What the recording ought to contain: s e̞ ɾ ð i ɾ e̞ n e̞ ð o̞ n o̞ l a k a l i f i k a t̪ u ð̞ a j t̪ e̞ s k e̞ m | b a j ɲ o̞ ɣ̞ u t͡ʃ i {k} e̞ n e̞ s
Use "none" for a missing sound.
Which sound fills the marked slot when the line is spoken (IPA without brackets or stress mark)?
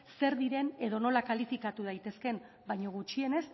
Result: none